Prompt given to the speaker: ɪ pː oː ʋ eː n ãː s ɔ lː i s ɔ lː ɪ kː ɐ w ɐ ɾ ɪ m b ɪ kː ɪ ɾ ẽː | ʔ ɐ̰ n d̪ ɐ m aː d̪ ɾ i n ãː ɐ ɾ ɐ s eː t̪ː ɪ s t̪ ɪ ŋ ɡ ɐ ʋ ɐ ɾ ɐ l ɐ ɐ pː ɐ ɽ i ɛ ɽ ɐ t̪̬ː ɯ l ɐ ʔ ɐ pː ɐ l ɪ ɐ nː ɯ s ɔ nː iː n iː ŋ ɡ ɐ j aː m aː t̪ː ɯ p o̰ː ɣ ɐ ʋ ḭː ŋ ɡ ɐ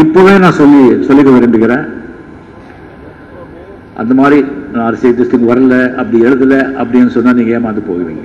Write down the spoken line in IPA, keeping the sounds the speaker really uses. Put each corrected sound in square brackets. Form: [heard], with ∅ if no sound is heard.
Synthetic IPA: ɪ pː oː ʋ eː n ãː s ɔ lː i s ɔ lː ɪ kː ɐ [ʋ] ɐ ɾ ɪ m b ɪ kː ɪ ɾ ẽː | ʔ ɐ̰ n d̪ ɐ m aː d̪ ɾ i n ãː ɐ ɾ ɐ s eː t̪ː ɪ s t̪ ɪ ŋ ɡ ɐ ʋ ɐ ɾ ɐ l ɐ ɐ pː ɐ ɽ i ɛ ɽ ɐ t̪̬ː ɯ l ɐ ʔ ɐ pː ɐ [ɽ] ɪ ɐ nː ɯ s ɔ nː [aː] n iː ŋ ɡ ɐ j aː m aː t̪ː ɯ p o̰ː ɣ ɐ ʋ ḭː ŋ ɡ ɐ